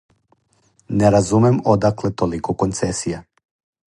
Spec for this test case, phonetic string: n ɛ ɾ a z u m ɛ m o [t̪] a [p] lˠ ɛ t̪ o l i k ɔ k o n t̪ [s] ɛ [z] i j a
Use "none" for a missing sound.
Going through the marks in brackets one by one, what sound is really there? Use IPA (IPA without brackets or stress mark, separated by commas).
d̪, k, s, s